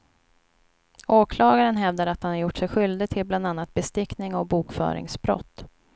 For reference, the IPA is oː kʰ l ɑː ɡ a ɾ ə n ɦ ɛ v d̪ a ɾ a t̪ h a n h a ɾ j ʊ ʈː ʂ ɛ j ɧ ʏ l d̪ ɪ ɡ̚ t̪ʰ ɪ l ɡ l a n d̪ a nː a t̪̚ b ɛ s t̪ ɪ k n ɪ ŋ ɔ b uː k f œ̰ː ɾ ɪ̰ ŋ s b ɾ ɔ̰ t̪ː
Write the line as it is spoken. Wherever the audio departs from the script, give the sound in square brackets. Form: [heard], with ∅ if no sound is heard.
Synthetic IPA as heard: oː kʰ l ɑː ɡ a ɾ ə n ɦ ɛ v d̪ a ɾ a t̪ h a n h a ɾ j ʊ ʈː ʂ ɛ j ɧ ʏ l d̪ ɪ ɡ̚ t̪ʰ ɪ l [b] l a n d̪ a nː a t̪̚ b ɛ s t̪ ɪ k n ɪ ŋ ɔ b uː k f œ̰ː ɾ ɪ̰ ŋ s b ɾ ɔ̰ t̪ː